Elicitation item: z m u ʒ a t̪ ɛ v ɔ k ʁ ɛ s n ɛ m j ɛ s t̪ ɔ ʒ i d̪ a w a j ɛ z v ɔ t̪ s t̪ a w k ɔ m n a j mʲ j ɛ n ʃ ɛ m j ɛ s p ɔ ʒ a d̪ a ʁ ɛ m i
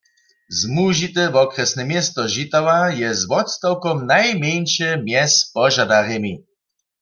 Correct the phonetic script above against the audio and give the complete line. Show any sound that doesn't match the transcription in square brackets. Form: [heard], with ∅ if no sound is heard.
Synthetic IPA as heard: z m u ʒ [i] t̪ ɛ v ɔ k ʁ ɛ s n ɛ m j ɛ s t̪ ɔ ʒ i [t̪] a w a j ɛ z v ɔ t̪ s t̪ a w k ɔ m n a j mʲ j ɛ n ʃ ɛ m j ɛ s p ɔ ʒ a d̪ a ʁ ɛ m i